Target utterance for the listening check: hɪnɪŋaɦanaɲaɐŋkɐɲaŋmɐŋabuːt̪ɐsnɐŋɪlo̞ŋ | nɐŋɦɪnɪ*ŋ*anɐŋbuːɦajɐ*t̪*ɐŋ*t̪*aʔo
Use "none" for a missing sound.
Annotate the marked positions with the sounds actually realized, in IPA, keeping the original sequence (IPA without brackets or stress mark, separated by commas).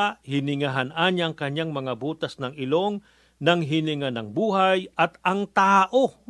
ŋ, t̪, t̪